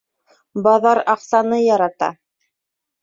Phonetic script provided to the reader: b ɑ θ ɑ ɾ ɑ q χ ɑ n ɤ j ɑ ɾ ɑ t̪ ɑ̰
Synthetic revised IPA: b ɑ ð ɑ ɾ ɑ q s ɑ n ɤ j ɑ ɾ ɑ t̪ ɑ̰